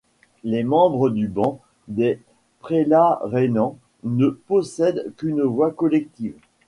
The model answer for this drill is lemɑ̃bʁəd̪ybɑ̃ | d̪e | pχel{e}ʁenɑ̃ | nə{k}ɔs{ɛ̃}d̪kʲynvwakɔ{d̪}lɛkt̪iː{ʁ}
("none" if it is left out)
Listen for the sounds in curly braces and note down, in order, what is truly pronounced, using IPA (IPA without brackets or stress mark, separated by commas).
a, p, ɛ, none, v